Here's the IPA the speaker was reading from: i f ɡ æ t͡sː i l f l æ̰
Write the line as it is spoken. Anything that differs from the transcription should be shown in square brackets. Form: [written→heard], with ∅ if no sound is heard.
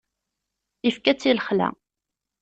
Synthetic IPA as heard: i f [ɡ→k] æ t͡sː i l [f→χ] l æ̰